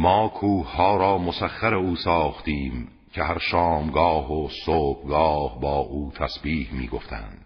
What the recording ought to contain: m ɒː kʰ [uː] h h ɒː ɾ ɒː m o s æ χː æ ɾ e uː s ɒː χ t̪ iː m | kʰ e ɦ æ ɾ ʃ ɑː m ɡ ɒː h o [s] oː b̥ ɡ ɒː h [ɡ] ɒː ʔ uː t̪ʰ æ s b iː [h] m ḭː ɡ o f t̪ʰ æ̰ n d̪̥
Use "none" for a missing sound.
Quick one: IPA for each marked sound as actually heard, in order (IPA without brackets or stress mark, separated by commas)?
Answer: uː, s, b, h